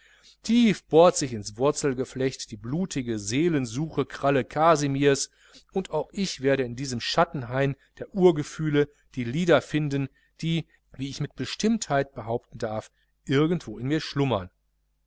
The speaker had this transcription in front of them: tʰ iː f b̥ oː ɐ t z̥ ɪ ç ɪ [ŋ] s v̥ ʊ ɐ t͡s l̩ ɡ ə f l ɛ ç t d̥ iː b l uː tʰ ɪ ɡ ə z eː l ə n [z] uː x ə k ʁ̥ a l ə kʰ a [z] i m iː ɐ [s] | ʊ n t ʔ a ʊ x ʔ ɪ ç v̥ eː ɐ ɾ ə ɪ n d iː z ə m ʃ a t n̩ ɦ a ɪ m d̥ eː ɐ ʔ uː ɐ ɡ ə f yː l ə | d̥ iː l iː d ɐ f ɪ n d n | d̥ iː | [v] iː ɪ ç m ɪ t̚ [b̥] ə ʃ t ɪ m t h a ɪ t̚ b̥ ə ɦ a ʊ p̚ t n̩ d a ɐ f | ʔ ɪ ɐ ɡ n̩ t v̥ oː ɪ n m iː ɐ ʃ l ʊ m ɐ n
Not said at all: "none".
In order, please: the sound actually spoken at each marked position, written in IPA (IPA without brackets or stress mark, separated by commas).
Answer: n, z, z, s, v, b̥